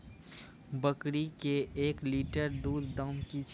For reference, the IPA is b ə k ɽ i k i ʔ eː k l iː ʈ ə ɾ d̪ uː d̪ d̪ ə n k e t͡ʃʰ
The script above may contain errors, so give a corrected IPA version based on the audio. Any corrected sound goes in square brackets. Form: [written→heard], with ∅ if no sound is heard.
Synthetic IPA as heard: b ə k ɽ i k [i→e] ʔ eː k l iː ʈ ə ɾ d̪ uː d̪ d̪ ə [n→m] k [e→i] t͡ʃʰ